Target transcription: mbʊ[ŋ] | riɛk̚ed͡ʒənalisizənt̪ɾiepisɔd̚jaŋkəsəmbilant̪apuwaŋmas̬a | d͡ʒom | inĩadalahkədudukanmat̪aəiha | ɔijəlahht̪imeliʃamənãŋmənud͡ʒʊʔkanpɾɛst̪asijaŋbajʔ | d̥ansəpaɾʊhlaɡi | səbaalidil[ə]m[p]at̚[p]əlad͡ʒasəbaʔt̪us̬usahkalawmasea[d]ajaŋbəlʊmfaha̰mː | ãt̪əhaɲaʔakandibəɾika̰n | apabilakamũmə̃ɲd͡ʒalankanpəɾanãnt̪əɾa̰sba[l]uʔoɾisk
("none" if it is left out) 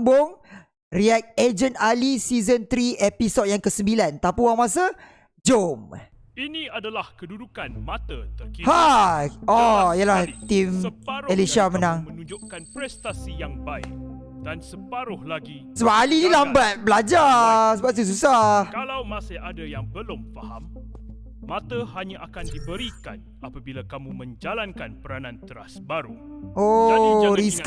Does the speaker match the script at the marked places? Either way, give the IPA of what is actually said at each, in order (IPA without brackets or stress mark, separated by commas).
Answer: ŋ, a, b, b, d, ɾ